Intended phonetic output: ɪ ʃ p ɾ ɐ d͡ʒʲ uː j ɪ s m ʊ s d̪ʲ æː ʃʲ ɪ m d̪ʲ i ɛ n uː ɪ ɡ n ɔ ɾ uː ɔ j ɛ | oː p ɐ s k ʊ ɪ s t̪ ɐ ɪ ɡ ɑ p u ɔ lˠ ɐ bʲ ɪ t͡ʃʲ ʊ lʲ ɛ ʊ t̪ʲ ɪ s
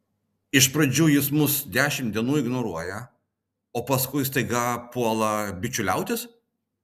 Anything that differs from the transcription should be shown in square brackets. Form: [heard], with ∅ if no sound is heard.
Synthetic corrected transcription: ɪ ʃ p ɾ ɐ d͡ʒʲ uː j ɪ s m ʊ s d̪ʲ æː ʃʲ ɪ m d̪ʲ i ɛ n uː ɪ ɡ n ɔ ɾ [u] ɔ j ɛ | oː p ɐ s k ʊ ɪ s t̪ ɐ ɪ ɡ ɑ p u ɔ lˠ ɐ bʲ ɪ t͡ʃʲ ʊ lʲ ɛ ʊ t̪ʲ ɪ s